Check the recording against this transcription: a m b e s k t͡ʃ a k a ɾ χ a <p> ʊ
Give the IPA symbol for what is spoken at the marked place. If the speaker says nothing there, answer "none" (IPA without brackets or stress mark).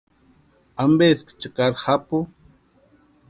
p